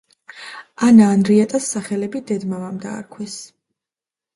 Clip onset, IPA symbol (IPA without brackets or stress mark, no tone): a